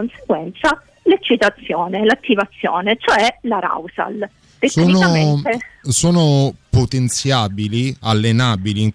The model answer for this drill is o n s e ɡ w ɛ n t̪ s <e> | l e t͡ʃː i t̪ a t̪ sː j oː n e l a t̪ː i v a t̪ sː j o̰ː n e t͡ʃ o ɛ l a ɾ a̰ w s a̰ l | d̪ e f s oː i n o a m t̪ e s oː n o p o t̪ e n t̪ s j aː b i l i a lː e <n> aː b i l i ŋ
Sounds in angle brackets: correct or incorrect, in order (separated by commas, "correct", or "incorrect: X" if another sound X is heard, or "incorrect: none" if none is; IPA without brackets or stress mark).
incorrect: a, correct